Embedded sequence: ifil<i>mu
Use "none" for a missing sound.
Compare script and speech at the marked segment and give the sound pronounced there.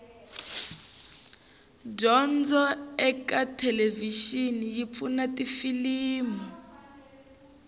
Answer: iː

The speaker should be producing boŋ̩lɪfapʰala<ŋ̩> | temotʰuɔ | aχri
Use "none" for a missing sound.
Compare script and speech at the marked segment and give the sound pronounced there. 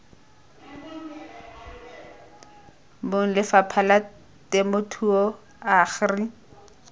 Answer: none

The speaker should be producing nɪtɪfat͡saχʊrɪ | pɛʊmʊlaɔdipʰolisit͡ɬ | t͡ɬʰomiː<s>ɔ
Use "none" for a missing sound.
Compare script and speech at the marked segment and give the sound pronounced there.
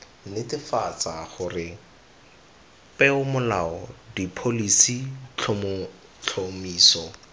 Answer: s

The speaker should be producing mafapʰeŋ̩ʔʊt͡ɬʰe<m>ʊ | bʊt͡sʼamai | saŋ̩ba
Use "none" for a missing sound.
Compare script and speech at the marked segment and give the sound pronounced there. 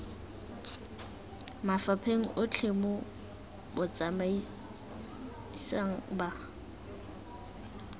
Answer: m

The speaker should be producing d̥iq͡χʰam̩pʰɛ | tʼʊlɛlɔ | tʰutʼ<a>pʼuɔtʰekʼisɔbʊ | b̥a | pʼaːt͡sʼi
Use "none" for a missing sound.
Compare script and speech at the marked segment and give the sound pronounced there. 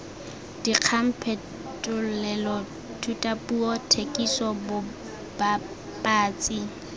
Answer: a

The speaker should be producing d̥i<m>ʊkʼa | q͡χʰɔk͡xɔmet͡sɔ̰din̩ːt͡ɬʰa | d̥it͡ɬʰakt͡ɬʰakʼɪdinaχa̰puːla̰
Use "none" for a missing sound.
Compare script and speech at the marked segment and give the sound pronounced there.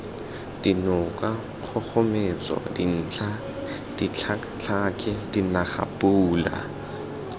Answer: n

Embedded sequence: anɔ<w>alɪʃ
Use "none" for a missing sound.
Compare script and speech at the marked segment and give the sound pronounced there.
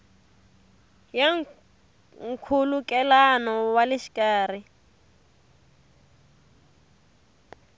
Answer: w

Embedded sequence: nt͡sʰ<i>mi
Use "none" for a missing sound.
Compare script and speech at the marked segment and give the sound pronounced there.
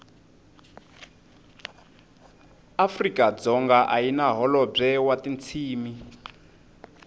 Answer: iː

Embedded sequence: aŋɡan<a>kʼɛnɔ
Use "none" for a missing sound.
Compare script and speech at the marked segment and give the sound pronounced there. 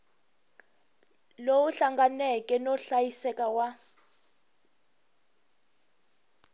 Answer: ɛ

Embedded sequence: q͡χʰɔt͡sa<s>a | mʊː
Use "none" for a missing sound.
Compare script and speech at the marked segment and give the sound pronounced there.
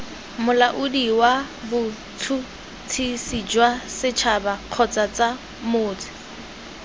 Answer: t͡s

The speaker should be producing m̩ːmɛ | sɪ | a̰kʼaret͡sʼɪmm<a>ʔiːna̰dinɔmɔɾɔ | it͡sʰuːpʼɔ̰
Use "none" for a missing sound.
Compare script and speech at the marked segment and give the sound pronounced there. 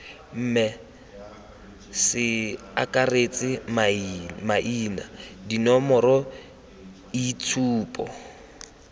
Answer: a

